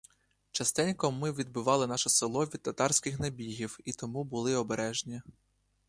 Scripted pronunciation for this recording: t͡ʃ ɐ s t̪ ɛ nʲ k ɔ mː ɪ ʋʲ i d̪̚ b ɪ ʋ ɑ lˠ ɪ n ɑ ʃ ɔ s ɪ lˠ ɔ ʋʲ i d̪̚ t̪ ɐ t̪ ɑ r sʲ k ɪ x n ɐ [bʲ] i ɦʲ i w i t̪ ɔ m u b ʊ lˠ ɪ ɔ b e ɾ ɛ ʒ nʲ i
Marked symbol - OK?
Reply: yes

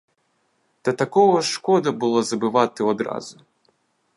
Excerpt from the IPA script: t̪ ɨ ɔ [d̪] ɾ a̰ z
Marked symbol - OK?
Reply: yes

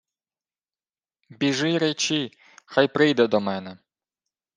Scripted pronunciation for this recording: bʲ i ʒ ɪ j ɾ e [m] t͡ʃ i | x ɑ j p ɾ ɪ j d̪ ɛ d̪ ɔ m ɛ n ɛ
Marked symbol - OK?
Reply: no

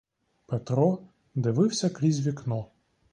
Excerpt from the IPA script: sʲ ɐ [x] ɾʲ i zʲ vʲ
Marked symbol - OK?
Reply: no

